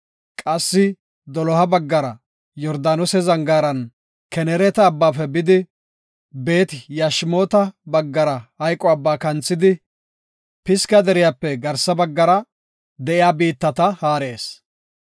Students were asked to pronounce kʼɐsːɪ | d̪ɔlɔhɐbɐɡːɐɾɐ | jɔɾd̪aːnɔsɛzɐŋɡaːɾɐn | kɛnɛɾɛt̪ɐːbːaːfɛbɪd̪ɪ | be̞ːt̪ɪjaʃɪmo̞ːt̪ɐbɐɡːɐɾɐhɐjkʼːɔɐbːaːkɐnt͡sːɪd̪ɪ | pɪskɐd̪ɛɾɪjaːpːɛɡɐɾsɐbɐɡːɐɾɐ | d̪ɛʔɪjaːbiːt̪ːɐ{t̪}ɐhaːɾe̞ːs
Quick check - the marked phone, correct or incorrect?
correct